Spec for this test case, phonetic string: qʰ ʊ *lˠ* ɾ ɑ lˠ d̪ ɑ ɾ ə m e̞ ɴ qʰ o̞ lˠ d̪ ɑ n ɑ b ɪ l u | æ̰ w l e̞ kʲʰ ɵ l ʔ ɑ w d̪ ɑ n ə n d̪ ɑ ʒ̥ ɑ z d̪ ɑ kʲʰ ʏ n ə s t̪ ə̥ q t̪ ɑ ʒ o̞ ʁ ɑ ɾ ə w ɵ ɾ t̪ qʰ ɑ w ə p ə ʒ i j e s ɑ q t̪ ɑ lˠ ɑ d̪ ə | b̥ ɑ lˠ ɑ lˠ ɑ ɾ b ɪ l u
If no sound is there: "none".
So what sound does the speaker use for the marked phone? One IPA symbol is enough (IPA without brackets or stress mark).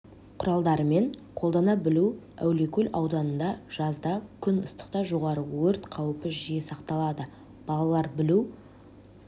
none